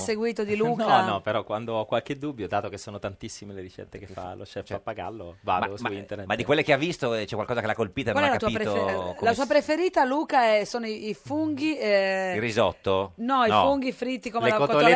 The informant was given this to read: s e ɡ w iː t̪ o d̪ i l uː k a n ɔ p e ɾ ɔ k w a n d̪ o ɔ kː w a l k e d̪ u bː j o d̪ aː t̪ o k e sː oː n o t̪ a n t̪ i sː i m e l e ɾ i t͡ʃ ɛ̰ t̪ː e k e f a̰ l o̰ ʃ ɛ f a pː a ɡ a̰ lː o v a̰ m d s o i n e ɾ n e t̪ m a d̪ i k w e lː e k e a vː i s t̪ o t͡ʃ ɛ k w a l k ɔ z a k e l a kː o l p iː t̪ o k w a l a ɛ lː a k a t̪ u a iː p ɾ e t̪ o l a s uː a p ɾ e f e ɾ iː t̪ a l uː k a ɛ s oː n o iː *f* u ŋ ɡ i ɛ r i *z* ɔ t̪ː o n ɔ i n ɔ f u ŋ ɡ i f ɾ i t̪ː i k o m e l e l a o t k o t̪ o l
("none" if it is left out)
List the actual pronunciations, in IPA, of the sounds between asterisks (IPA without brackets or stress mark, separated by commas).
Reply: f, z